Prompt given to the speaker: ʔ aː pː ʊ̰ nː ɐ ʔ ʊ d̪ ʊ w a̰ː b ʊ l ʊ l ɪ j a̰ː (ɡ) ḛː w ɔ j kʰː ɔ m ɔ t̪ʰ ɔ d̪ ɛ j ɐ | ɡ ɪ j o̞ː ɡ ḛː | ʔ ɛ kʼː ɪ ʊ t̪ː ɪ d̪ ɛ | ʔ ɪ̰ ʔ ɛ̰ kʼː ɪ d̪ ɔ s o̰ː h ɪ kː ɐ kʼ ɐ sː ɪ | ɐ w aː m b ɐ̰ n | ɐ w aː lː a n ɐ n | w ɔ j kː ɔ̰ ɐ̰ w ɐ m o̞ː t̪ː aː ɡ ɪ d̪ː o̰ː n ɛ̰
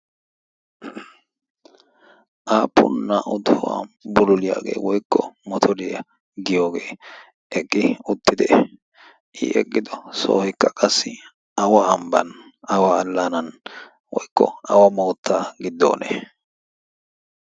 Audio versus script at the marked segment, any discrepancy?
no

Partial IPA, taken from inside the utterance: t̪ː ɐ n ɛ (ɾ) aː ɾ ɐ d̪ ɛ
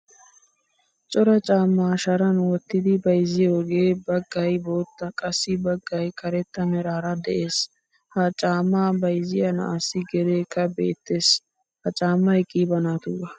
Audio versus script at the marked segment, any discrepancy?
no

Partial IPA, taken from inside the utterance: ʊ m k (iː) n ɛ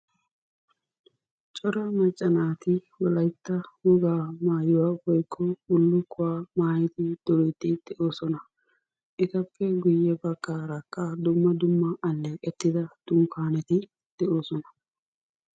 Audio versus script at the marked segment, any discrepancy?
yes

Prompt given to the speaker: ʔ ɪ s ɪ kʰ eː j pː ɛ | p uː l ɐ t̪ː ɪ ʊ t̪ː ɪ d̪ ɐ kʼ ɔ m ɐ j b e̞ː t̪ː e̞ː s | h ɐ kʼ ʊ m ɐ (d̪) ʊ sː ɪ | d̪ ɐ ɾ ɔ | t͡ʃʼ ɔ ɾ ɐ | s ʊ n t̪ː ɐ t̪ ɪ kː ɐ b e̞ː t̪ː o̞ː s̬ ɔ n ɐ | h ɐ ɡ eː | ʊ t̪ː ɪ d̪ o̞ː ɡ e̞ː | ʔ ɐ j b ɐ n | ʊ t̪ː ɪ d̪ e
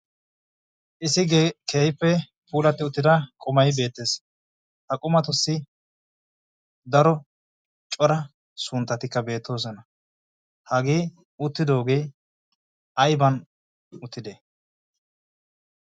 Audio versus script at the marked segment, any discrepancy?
yes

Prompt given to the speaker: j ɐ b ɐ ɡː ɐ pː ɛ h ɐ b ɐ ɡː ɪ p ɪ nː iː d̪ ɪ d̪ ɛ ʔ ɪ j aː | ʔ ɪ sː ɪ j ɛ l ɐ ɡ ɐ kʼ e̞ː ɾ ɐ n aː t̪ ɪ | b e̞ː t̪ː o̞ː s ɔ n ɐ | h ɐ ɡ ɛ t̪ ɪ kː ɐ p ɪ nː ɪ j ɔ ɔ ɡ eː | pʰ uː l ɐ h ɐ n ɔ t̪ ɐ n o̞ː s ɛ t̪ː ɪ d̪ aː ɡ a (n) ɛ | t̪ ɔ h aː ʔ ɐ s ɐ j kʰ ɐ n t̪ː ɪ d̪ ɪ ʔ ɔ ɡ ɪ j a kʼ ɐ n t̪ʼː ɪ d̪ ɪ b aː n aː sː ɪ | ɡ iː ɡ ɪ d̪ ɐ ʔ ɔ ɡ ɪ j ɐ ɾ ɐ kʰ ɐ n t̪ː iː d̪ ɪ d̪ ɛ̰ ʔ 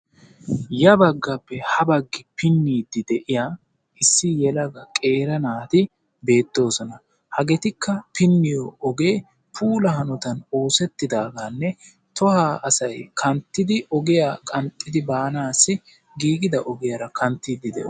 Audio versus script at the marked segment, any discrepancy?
yes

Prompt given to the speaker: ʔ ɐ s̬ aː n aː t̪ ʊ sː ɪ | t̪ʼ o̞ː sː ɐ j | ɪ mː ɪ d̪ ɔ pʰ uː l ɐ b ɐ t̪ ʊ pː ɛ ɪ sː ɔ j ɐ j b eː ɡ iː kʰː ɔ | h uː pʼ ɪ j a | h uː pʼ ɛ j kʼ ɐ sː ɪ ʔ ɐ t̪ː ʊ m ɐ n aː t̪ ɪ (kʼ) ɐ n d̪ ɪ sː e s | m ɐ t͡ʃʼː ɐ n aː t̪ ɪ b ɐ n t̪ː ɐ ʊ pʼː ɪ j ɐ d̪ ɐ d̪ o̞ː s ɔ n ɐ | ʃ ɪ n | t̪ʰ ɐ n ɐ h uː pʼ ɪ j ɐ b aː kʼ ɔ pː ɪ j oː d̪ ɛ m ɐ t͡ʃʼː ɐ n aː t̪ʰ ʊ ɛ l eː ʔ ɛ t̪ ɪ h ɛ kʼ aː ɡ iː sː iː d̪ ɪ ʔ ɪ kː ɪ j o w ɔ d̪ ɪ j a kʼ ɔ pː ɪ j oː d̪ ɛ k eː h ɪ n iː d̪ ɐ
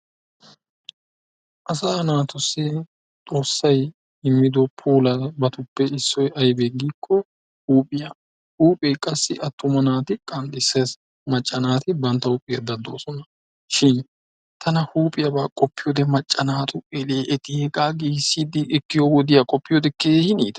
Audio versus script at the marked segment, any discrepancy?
no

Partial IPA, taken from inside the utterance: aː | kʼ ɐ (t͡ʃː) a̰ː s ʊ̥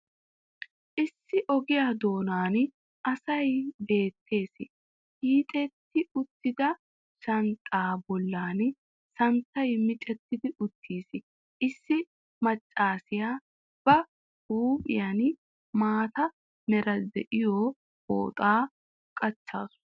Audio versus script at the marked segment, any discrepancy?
no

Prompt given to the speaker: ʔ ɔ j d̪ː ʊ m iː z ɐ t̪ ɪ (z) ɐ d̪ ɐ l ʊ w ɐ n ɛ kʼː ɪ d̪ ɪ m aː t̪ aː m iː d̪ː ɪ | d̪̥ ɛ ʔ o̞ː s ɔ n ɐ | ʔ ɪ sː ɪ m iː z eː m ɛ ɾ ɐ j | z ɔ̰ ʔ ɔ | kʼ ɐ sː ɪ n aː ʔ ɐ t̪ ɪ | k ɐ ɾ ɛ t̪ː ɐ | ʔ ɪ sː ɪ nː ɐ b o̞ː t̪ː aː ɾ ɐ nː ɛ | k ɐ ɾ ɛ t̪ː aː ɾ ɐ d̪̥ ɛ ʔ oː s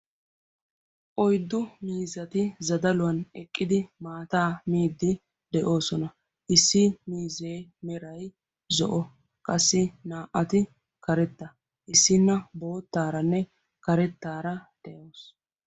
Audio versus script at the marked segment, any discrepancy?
no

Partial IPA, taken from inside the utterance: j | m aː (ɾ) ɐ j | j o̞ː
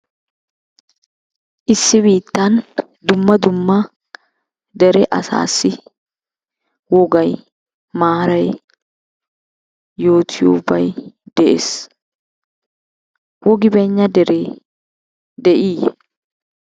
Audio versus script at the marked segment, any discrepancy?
no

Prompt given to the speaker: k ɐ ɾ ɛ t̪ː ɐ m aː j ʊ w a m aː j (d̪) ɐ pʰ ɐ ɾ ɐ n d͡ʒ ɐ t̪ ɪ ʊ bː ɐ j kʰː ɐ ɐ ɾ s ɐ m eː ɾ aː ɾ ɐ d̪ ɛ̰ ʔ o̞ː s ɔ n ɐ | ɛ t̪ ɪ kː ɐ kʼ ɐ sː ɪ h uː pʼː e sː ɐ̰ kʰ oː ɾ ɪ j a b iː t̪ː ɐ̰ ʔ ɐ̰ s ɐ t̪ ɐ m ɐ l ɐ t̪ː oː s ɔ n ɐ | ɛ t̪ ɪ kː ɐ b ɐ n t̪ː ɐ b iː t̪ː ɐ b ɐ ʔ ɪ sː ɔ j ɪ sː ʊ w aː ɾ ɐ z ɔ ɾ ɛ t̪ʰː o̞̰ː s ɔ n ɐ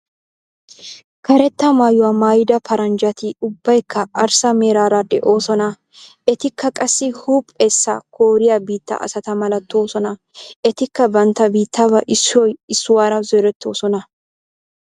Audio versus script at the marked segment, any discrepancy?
no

